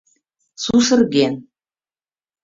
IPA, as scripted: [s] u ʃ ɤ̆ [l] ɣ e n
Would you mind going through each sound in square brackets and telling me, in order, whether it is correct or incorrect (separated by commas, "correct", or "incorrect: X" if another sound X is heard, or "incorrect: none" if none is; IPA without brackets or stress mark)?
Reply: correct, incorrect: r